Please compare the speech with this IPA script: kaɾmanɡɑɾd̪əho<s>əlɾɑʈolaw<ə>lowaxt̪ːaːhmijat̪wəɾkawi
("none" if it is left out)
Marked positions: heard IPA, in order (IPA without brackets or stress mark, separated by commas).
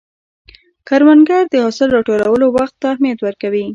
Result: s, ə